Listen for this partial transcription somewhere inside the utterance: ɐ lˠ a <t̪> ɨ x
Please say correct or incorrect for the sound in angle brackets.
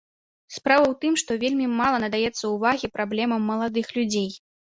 incorrect